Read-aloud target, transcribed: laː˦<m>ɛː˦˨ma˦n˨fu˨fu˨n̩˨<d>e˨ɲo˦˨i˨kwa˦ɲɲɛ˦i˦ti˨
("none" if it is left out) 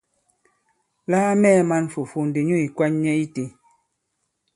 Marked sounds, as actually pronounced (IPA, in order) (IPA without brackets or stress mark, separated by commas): m, d